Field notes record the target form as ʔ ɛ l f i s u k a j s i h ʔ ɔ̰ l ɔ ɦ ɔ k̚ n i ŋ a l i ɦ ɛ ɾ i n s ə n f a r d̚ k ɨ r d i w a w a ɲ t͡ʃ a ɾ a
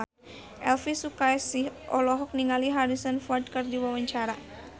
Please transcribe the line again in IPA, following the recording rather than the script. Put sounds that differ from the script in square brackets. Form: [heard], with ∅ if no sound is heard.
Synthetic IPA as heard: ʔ ɛ l f i s u k a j s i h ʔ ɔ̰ l ɔ ɦ ɔ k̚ n i ŋ a l i ɦ [a] ɾ i [∅] s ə n f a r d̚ k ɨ r d i w a w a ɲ t͡ʃ a ɾ a